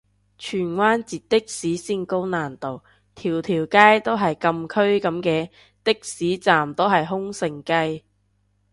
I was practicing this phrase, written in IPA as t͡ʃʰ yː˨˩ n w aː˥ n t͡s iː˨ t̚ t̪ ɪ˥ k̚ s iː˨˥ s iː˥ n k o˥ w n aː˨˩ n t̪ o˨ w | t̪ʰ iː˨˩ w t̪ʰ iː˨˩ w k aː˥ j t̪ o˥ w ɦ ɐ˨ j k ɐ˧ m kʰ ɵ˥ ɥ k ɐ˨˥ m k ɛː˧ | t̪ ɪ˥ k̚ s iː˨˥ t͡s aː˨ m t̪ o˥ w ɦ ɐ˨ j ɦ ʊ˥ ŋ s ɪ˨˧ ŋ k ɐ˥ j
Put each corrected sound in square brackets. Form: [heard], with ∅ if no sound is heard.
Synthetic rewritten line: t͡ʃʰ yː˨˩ n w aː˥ n t͡s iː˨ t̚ t̪ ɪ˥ k̚ s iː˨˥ s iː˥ n k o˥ w n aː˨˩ n t̪ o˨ w | t̪ʰ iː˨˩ w t̪ʰ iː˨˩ w k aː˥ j t̪ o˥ w ɦ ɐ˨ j k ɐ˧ m kʰ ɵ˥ ɥ k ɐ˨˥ m k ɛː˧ | t̪ ɪ˥ k̚ s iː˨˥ t͡s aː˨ m t̪ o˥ w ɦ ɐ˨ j ɦ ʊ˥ ŋ s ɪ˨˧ ŋ k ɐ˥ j

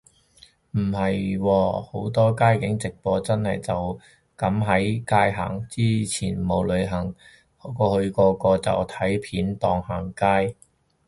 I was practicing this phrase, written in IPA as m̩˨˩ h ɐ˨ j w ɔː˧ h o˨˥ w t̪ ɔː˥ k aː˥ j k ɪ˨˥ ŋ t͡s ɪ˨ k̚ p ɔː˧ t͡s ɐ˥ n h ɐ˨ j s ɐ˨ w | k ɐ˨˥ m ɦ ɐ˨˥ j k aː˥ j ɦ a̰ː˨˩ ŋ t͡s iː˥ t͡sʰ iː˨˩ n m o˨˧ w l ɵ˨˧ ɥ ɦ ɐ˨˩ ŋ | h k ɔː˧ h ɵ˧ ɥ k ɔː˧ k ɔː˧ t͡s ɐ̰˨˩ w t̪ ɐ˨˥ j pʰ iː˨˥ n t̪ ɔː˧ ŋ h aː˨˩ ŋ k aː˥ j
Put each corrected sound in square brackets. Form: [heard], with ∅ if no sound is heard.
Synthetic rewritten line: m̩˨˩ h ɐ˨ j w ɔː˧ h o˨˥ w t̪ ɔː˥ k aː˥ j k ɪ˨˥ ŋ t͡s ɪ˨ k̚ p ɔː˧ t͡s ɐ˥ n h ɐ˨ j [t͡s] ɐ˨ w | k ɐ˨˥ m ɦ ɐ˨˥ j k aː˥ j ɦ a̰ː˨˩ ŋ t͡s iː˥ t͡sʰ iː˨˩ n m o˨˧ w l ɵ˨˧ ɥ ɦ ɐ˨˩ ŋ | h k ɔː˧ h ɵ˧ ɥ k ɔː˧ k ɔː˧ t͡s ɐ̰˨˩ w [t̪ʰ] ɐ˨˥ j pʰ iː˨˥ n t̪ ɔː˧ ŋ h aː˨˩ ŋ k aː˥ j

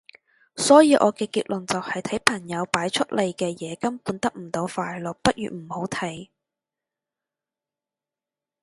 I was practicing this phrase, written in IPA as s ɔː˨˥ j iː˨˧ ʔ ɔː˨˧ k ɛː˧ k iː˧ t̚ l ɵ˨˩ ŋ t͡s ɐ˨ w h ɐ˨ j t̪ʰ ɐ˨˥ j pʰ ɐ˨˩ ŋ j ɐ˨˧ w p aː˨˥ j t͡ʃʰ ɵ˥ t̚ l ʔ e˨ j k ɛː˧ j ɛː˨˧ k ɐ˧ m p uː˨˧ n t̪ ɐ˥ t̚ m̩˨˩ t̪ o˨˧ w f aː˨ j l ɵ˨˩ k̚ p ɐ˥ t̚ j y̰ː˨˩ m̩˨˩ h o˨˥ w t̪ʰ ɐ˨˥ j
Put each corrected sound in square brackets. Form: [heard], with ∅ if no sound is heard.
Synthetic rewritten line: s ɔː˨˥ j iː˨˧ ʔ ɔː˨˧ k ɛː˧ k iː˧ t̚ l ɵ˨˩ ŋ t͡s ɐ˨ w h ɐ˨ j t̪ʰ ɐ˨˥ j pʰ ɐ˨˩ ŋ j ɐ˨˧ w p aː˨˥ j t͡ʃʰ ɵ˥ t̚ l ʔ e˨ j k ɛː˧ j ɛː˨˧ k [ɐ˥] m p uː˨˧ n t̪ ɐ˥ [k̚] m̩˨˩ t̪ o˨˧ w f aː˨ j l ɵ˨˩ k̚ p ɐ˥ t̚ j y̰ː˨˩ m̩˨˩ h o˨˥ w t̪ʰ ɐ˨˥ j

